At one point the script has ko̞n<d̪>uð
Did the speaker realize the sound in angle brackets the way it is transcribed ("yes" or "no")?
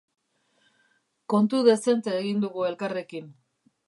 no